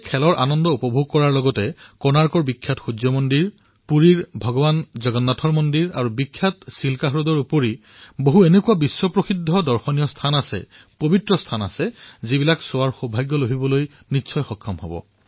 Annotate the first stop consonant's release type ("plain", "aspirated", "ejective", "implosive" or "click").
aspirated